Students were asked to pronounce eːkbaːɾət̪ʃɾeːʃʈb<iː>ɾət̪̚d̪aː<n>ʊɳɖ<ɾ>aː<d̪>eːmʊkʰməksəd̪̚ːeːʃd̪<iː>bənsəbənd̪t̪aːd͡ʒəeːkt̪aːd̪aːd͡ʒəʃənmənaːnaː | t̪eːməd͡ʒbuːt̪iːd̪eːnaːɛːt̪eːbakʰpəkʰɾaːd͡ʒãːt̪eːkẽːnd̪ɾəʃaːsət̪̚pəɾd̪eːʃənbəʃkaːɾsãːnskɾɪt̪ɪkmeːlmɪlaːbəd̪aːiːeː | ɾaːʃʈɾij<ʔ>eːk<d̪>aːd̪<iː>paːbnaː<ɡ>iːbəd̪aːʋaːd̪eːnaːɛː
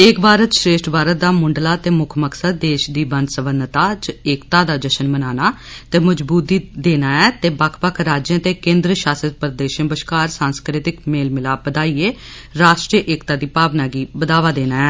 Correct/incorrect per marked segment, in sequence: incorrect: aː, incorrect: m, incorrect: l, incorrect: t̪, correct, correct, incorrect: t̪, correct, correct

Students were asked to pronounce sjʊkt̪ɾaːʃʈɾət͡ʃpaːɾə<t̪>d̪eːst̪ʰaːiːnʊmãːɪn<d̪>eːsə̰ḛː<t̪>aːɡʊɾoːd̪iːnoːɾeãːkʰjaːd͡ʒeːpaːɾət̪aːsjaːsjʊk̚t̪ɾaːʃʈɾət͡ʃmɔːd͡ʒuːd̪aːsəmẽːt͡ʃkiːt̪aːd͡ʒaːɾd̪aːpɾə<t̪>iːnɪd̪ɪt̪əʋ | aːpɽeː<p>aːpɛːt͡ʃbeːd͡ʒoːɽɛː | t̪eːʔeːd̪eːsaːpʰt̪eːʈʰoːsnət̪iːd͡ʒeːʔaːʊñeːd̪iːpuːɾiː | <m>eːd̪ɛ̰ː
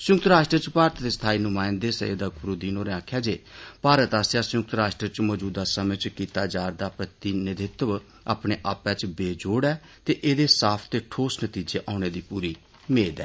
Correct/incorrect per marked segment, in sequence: correct, correct, incorrect: d̪, correct, incorrect: ʔ, correct

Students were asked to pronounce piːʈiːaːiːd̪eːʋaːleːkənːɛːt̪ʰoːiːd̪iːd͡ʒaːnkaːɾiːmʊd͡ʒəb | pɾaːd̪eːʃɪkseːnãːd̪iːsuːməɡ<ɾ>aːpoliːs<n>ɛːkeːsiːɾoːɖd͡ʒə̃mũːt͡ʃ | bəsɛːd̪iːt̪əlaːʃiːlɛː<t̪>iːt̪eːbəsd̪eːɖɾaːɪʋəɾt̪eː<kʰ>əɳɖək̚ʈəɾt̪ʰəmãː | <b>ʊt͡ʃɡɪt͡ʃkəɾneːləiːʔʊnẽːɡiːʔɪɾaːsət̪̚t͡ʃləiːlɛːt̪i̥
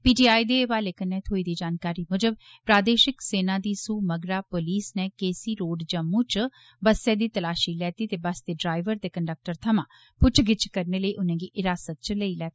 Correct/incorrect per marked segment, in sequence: correct, correct, correct, incorrect: k, incorrect: p

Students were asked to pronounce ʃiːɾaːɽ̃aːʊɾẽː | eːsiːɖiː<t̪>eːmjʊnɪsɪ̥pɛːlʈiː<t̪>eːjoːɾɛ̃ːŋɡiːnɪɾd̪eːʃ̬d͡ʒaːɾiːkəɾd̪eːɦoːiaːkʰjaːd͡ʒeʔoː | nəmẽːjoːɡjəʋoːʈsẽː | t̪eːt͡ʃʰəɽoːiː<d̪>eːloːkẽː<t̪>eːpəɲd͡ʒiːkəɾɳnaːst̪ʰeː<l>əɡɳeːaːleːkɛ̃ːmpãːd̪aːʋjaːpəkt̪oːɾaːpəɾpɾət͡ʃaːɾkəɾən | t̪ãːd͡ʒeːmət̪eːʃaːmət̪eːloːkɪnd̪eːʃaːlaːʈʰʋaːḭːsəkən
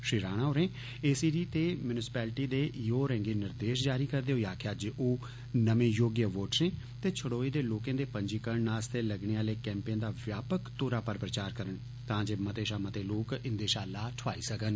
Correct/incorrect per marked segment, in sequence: correct, incorrect: d̪, correct, incorrect: d̪, correct

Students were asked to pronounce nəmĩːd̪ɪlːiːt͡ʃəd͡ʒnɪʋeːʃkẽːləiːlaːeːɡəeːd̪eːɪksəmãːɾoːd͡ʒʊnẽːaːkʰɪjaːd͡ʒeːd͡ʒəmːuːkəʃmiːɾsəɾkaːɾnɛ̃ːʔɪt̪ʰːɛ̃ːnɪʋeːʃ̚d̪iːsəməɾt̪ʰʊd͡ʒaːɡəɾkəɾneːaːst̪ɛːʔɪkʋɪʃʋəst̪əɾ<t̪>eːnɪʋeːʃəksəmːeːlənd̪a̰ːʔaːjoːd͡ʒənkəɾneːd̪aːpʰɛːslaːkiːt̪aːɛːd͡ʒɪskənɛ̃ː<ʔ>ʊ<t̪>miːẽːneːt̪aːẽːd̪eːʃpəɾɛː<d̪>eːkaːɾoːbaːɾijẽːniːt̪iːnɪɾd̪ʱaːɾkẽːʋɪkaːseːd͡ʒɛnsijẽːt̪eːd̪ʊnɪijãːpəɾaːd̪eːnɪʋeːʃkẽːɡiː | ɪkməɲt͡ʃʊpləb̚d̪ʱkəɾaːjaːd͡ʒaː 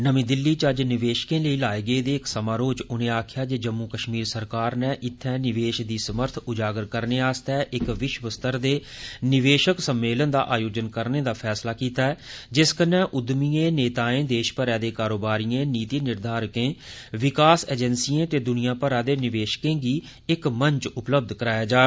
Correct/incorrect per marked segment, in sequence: incorrect: d̪, correct, incorrect: d̪, correct

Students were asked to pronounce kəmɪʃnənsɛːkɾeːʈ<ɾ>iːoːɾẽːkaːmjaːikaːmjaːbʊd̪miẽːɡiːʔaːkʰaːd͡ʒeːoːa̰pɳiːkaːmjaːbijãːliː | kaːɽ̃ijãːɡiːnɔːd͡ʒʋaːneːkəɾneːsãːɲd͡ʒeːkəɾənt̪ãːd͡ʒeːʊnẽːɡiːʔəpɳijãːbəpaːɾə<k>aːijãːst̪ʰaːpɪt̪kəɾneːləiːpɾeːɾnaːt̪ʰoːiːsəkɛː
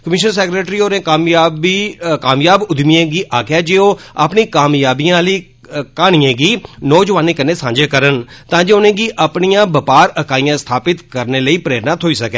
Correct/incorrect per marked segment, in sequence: correct, correct

